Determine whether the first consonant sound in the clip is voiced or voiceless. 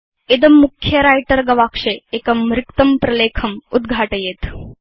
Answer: voiced